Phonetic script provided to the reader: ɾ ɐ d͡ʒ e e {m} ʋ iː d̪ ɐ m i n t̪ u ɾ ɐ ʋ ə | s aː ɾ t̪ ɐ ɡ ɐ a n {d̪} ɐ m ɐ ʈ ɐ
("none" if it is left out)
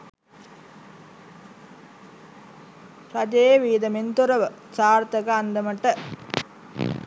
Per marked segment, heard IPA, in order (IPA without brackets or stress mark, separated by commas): none, d̪